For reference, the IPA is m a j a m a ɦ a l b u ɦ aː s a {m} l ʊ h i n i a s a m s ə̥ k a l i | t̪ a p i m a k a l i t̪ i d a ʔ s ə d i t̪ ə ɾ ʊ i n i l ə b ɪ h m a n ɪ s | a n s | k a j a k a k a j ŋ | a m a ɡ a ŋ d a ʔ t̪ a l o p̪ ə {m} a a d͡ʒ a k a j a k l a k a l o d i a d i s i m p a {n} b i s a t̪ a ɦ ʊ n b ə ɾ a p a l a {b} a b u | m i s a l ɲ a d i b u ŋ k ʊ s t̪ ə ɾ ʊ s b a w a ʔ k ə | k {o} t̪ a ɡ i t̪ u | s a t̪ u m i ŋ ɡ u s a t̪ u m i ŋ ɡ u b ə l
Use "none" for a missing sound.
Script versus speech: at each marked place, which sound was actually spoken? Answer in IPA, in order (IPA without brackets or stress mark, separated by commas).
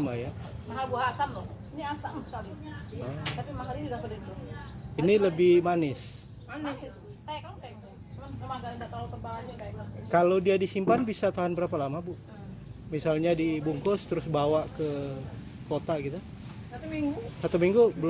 m, b, n, m, o